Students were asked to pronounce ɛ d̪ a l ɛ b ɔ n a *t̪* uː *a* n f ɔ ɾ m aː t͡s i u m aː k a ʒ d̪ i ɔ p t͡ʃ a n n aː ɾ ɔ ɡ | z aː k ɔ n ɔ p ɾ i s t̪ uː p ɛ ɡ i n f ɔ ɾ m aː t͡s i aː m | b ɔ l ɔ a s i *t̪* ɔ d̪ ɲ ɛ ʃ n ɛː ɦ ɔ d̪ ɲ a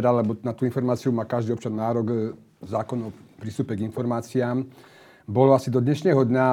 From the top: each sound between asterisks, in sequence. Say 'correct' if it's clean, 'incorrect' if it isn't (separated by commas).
correct, incorrect, incorrect